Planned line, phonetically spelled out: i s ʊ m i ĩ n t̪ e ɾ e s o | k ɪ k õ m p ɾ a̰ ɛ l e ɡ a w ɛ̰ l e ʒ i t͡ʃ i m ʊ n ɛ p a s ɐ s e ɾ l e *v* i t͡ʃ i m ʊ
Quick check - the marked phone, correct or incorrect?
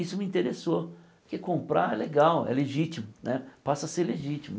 incorrect